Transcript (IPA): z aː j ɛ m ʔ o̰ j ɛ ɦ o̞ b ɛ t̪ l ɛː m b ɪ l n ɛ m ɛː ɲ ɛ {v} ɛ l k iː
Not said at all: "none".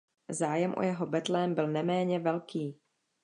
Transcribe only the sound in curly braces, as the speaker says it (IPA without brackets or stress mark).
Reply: v